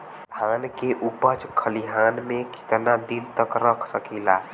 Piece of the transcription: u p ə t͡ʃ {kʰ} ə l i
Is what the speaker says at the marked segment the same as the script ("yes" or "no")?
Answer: yes